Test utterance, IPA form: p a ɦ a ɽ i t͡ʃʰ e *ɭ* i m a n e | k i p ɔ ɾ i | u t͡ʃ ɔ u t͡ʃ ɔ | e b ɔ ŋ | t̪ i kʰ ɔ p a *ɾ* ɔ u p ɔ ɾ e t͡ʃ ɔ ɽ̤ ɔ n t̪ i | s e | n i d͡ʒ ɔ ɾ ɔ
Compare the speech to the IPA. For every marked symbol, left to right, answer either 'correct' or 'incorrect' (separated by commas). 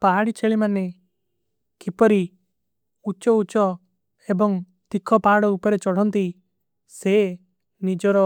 correct, incorrect